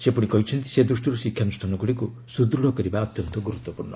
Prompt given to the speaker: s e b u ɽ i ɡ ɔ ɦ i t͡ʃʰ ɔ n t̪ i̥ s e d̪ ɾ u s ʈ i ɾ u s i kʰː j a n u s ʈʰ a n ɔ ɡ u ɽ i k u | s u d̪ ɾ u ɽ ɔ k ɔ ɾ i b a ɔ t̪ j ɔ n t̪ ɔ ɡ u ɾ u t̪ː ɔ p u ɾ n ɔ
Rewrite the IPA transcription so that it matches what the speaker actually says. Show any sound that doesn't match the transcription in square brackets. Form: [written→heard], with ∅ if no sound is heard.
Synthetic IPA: s e [b→p] u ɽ i [ɡ→k] ɔ ɦ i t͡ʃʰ ɔ n t̪ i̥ s e d̪ ɾ u s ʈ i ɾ u s i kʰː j a n u s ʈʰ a n ɔ ɡ u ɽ i k u | s u d̪ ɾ u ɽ ɔ k ɔ ɾ i b a ɔ t̪ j ɔ n t̪ ɔ ɡ u ɾ u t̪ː ɔ p u ɾ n ɔ

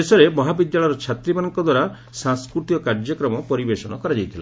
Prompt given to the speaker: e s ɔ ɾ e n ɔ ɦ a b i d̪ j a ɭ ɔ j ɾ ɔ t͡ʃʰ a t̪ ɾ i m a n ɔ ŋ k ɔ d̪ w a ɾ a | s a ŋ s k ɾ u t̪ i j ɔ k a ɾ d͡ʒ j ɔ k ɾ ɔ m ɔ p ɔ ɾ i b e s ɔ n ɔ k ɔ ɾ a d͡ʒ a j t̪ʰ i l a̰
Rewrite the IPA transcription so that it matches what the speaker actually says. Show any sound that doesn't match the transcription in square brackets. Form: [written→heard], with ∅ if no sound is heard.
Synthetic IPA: e s ɔ ɾ e [n→m] ɔ ɦ a b i d̪ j a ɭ ɔ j ɾ ɔ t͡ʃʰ a t̪ ɾ i m a n ɔ ŋ k ɔ d̪ w a ɾ a | s a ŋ s k ɾ u t̪ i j ɔ k a ɾ d͡ʒ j ɔ k ɾ ɔ m ɔ p ɔ ɾ i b e s ɔ n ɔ k ɔ ɾ a d͡ʒ a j t̪ʰ i l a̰

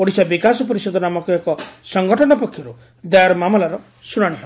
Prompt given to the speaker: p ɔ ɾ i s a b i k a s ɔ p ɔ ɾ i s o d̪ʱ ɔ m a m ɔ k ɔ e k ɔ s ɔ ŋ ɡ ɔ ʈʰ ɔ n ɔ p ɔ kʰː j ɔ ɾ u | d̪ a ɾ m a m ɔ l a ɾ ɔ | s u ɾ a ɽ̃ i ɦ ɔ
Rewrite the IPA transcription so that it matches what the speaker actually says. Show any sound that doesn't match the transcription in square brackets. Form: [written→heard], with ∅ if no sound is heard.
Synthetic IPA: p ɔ [ɾ→ɽ] i s a b i k a s ɔ p ɔ ɾ i s [o→ɔ] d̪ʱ ɔ [m→n] a m ɔ k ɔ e k ɔ s ɔ ŋ ɡ ɔ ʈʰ ɔ n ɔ p ɔ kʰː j ɔ ɾ u | d̪ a ɾ m a m ɔ l a ɾ ɔ | s u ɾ a ɽ̃ i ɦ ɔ

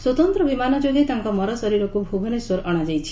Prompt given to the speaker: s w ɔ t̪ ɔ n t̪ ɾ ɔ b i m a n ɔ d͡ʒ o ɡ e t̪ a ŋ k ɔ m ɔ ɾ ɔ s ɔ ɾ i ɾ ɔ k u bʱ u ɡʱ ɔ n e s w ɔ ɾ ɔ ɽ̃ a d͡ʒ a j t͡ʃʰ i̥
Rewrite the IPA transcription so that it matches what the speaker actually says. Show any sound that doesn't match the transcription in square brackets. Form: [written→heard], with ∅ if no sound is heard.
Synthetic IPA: s w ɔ t̪ ɔ n t̪ ɾ ɔ b i m a n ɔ d͡ʒ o ɡ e t̪ a ŋ k ɔ m ɔ ɾ ɔ s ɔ ɾ i ɾ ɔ k u bʱ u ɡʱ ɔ n e s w ɔ ɾ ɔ ɽ̃ a d͡ʒ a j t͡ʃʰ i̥

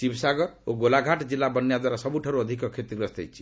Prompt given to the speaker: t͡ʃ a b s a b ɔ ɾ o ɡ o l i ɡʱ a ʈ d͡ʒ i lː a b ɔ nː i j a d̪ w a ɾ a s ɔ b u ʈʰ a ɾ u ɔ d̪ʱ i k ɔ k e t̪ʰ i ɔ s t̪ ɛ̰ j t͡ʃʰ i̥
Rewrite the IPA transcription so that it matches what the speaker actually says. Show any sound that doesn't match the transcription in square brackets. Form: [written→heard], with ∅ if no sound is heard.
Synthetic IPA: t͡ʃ [a→i] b s a [b→ɡ] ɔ ɾ o ɡ o l [i→a] ɡʱ a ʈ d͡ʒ i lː a b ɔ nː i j a d̪ w a ɾ a s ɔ b u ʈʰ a ɾ u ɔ d̪ʱ i k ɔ [k→kʰ] e [t̪ʰ→t̪] i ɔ s t̪ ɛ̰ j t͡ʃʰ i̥

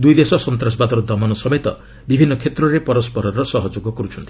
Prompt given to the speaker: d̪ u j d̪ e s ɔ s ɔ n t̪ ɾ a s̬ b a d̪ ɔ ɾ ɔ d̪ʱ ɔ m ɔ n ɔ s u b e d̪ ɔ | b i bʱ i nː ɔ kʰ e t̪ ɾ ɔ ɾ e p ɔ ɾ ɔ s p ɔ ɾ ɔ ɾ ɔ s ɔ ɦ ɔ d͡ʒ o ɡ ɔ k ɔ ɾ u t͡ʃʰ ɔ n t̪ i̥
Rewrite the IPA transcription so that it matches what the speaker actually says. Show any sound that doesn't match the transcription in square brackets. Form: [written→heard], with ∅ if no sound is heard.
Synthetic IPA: d̪ u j d̪ e s ɔ s ɔ n t̪ ɾ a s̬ b a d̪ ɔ ɾ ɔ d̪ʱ ɔ m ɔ n ɔ s [u→ɔ] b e [d̪→t̪] ɔ | b i bʱ i nː ɔ kʰ e t̪ ɾ ɔ ɾ e p ɔ ɾ ɔ s p ɔ ɾ ɔ ɾ ɔ s ɔ ɦ ɔ d͡ʒ o ɡ ɔ k ɔ ɾ u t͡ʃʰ ɔ n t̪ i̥

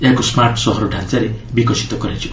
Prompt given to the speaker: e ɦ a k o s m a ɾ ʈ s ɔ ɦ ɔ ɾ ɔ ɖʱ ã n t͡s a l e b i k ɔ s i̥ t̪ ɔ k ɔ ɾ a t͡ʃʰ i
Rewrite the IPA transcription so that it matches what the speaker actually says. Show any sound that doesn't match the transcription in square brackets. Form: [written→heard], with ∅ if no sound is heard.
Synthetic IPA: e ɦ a k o s m a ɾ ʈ s ɔ ɦ ɔ ɾ ɔ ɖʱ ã n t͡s a [l→ɾ] e b i k ɔ s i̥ t̪ ɔ k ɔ ɾ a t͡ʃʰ i

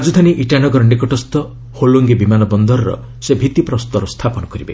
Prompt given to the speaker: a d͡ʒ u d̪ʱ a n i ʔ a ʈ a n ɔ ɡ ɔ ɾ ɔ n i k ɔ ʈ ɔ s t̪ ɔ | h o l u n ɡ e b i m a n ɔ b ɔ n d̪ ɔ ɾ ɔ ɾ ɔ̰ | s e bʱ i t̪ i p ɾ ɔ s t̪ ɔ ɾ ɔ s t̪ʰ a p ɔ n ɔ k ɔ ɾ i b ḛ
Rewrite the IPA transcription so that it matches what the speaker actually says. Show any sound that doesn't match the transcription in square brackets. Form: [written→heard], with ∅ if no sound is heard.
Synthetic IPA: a d͡ʒ u d̪ʱ a n i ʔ [a→i] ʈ a n ɔ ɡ ɔ ɾ ɔ n i k ɔ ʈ ɔ s t̪ ɔ | h o l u [n→ŋ] ɡ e b i m a n ɔ b ɔ n d̪ ɔ ɾ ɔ ɾ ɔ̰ | s e bʱ i t̪ i p ɾ ɔ s t̪ ɔ ɾ ɔ s t̪ʰ a p ɔ n ɔ k ɔ ɾ i b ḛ

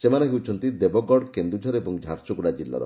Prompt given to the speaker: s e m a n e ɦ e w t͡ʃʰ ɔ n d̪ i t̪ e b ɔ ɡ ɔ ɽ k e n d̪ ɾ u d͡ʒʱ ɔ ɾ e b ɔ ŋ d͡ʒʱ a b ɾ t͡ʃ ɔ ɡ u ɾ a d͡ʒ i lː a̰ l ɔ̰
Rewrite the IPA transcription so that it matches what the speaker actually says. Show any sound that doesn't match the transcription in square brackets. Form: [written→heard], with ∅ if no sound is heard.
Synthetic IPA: s e m a n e ɦ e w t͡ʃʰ ɔ n [d̪→t̪] i [t̪→d̪] e b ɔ ɡ ɔ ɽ k e n d̪ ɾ u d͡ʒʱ ɔ ɾ e b ɔ ŋ d͡ʒʱ a [b→∅] ɾ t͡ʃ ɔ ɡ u [ɾ→ɽ] a d͡ʒ i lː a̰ [l→ɾ] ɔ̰

